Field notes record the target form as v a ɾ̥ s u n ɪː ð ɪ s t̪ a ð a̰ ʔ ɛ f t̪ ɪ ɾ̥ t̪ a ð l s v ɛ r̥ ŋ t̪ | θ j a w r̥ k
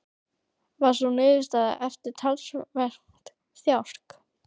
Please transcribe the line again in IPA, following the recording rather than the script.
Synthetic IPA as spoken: v a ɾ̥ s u n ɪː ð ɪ s t̪ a ð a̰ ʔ ɛ f t̪ ɪ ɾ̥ t̪ʰ a l s v ɛ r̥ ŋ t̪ | θ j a w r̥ k